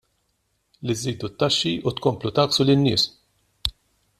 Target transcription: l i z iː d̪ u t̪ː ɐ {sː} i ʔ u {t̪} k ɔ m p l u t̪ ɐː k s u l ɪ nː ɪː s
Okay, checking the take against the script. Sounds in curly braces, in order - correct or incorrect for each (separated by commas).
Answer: incorrect, correct